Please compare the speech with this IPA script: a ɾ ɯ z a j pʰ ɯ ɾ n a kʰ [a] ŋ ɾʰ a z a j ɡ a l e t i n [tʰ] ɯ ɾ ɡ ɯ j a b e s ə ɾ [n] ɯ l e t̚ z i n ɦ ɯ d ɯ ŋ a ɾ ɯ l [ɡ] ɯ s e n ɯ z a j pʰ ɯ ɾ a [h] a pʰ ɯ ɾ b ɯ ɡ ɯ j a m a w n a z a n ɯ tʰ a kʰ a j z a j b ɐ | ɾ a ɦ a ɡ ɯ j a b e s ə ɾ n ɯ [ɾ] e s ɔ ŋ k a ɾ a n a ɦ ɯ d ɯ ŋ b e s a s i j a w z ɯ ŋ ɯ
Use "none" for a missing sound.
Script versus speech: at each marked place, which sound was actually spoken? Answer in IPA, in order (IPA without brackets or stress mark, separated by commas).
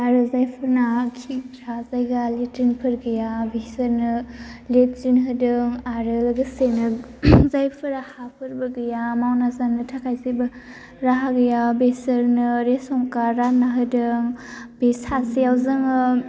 i, pʰ, n, ɡ, h, ɾ